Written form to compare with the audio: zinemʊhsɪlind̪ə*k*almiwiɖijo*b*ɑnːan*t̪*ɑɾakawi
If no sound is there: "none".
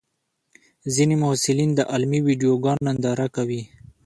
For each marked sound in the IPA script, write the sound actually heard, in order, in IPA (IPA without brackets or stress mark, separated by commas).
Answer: ʔ, ɡ, d̪